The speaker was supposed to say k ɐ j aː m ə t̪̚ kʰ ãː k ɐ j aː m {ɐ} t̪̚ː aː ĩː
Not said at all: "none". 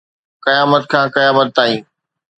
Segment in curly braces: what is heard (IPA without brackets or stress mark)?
ə